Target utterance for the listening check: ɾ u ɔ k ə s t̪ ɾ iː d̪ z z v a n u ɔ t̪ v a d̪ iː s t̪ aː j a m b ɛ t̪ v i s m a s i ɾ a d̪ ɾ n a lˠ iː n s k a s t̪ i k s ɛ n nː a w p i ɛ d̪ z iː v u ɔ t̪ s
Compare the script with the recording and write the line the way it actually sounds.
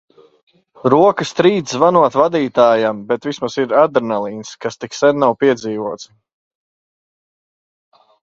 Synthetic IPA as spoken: ɾ u ɔ k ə s t̪ ɾ iː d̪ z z v a n u ɔ t̪ v a d̪ iː t̪ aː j a m b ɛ t̪ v i s m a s i ɾ a d̪ ɾ n a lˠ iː n s k a s t̪ i k s ɛ n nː a w p i ɛ d̪ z iː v u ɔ t̪ s